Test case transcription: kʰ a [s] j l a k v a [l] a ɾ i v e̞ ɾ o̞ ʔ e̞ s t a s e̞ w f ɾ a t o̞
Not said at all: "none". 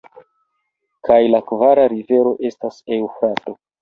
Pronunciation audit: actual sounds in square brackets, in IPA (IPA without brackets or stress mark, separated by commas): none, ɾ